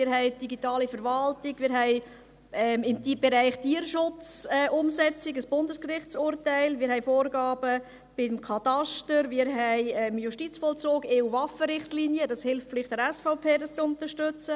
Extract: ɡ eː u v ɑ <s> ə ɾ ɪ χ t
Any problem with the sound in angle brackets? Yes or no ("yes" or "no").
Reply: yes